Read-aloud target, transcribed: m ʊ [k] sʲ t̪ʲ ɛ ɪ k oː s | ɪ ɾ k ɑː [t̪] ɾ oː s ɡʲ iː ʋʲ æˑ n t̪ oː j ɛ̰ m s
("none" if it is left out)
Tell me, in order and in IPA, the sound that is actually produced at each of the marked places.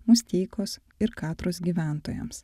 none, t̪

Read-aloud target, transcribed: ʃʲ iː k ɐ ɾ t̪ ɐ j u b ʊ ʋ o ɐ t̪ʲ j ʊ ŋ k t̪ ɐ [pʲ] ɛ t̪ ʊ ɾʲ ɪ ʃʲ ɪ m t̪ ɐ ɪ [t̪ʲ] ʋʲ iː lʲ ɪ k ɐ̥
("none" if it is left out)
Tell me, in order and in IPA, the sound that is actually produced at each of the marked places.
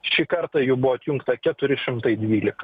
kʲ, d̪ʲ

